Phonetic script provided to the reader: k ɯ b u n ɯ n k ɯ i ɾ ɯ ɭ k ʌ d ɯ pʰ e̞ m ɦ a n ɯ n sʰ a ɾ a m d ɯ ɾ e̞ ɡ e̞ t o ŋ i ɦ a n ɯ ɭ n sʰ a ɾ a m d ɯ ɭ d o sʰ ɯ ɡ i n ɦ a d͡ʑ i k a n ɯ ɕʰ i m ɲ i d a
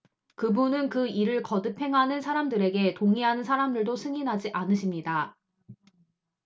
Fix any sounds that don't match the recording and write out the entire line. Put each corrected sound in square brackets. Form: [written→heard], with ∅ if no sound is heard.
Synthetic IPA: k ɯ b u n ɯ n k ɯ i ɾ ɯ ɭ k ʌ d ɯ pʰ e̞ [m→ŋ] ɦ a n ɯ n sʰ a ɾ a m d ɯ ɾ e̞ ɡ e̞ t o ŋ i ɦ a n ɯ [ɭ→∅] n sʰ a ɾ a m d ɯ ɭ d o sʰ ɯ [ɡ→ŋ] i n ɦ a d͡ʑ i [k→ʔ] a n ɯ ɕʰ i m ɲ i d a